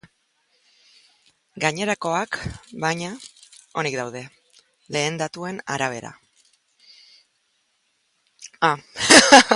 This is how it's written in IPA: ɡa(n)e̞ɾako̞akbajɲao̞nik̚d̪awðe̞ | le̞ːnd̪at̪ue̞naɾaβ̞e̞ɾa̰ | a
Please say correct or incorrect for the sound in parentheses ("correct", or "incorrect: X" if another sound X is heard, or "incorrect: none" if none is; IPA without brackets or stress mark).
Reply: incorrect: ɲ